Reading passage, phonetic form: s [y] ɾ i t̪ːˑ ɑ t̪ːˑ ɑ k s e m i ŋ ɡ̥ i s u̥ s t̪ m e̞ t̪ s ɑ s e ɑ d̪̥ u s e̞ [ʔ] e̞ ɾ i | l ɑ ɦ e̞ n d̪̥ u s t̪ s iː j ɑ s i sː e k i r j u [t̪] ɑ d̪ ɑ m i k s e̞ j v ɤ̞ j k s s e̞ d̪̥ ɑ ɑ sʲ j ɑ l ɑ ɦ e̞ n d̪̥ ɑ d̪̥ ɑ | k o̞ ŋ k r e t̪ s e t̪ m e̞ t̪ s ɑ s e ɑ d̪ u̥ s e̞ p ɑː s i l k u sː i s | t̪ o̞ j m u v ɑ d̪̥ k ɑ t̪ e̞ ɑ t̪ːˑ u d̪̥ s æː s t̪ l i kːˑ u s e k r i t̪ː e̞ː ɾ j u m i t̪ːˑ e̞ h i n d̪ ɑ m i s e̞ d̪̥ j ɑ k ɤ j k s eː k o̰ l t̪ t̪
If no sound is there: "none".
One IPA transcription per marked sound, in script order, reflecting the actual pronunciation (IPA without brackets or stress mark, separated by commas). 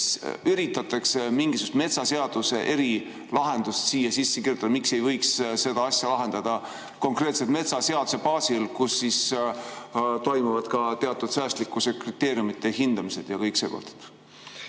y, ʔ, t̪